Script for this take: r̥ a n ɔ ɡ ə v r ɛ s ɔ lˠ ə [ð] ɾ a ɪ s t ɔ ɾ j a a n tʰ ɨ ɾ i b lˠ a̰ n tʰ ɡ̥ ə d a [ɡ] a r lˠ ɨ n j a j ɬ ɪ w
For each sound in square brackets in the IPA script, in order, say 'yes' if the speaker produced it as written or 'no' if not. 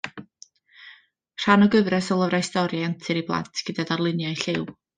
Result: no, no

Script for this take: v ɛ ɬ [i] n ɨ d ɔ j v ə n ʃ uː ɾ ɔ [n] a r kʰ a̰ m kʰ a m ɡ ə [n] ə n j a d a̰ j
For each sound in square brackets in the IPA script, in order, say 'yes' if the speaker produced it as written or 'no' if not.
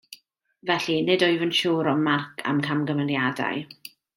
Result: yes, no, no

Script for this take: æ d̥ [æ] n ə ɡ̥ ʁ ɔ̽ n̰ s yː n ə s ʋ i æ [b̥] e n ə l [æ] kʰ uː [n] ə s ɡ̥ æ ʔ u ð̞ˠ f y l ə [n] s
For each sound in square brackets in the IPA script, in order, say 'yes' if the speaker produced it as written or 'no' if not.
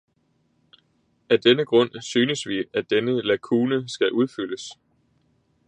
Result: no, no, yes, yes, no

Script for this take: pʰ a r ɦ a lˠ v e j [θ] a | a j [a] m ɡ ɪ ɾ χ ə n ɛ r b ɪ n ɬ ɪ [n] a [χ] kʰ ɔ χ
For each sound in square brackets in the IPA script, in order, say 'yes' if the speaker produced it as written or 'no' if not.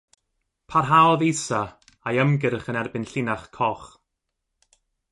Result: no, no, yes, yes

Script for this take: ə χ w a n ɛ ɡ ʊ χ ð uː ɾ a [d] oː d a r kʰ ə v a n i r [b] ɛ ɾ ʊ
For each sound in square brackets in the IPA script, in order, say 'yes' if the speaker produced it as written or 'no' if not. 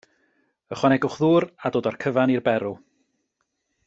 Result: yes, yes

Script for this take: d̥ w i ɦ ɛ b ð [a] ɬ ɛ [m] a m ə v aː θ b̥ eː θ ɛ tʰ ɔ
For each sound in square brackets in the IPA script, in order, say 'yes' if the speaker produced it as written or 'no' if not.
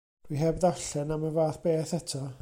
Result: yes, no

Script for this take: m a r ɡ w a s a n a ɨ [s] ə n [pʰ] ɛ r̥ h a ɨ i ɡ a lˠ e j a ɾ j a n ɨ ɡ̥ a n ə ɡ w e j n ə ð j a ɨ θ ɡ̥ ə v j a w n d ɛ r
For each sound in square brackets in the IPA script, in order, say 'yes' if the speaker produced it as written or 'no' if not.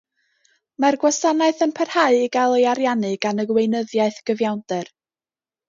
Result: no, yes

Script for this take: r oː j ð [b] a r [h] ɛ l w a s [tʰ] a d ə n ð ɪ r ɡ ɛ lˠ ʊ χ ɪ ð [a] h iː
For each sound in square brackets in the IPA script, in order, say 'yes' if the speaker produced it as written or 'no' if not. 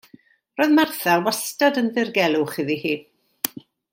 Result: no, no, no, no

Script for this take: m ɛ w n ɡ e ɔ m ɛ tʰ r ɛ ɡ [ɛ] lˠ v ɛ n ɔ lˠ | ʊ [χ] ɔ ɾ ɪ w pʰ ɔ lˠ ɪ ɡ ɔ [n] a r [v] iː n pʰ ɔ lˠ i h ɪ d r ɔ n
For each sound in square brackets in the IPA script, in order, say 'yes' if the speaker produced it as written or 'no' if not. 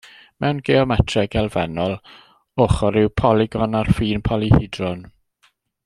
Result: yes, yes, yes, no

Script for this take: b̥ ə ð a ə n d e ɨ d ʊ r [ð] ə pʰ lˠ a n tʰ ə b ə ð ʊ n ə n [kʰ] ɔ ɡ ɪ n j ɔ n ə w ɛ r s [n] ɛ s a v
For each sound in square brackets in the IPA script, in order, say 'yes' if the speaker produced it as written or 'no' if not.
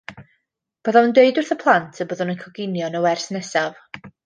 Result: no, yes, yes

